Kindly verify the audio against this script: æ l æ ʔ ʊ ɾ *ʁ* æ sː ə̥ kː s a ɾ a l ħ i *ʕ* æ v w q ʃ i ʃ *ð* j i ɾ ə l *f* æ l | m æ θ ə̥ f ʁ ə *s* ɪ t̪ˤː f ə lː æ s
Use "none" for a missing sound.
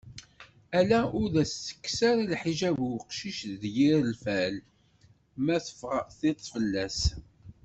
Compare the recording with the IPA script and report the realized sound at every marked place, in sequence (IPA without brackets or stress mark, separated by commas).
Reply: ð, ʒ, ð, f, θ